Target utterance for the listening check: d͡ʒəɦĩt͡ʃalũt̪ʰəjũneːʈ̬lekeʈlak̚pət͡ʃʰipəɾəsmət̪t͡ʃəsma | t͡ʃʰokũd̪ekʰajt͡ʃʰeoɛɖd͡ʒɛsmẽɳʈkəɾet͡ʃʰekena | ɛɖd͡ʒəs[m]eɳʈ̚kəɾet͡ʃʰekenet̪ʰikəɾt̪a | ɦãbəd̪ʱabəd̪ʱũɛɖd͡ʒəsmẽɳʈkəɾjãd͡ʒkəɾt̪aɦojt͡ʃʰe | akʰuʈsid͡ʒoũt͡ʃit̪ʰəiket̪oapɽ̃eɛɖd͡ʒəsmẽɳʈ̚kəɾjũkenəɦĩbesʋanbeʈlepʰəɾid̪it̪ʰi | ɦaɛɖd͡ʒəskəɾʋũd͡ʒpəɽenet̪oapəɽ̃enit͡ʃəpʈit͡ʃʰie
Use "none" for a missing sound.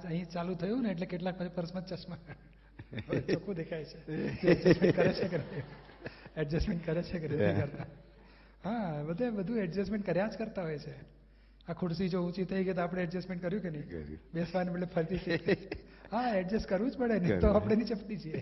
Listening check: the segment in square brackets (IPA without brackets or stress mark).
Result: m